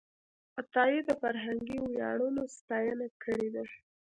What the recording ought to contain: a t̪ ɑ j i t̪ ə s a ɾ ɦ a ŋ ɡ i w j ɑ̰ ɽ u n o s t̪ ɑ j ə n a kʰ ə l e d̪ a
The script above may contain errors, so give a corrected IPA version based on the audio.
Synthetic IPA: a t̪ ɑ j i d̪ ə f a ɾ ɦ a ŋ ɡ i w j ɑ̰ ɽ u n o s t̪ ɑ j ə n a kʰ ə ɽ e d̪ a